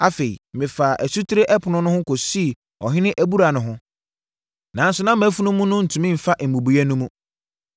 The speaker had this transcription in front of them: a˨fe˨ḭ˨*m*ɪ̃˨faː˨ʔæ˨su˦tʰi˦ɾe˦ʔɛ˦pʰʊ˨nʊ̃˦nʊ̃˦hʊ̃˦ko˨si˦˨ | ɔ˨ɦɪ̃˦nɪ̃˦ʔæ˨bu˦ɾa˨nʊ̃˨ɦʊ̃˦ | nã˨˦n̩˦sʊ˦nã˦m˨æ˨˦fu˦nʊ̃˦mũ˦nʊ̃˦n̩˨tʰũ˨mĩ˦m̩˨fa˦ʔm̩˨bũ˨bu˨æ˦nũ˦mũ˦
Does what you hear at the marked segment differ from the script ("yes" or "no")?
no